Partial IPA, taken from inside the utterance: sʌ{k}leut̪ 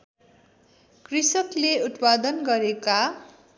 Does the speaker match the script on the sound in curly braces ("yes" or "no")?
yes